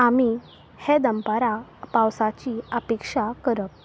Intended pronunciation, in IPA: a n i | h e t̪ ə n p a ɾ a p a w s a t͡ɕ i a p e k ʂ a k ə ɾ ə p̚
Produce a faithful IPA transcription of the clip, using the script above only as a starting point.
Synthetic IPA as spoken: a m i | h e d̪ ə m p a ɾ a p a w s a t͡ɕ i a p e k ʂ a k ə ɾ ə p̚